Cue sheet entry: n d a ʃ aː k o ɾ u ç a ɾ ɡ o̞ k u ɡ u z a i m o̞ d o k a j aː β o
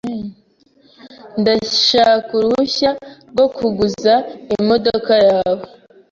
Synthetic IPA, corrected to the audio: n d a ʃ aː k u ɾ u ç a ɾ ɡ o̞ k u ɡ u z a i m o̞ d o k a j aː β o